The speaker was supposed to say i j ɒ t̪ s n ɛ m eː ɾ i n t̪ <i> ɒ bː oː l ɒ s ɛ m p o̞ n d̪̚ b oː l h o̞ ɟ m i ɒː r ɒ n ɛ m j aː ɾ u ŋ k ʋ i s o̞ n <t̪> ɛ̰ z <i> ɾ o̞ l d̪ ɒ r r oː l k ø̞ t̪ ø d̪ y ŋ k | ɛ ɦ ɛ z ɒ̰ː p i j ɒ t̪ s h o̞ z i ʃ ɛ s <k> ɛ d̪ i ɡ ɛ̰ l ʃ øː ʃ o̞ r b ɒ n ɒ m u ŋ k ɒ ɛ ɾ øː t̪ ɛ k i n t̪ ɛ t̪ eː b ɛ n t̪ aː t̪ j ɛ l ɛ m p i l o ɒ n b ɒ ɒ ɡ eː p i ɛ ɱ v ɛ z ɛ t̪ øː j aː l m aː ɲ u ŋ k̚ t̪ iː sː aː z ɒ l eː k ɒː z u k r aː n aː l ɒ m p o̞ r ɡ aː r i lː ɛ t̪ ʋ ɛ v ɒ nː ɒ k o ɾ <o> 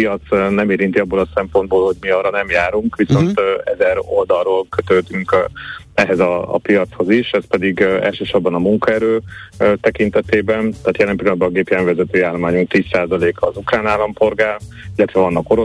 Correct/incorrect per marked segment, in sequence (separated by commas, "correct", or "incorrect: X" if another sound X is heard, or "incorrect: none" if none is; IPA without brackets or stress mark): correct, correct, incorrect: ɛ, incorrect: p, correct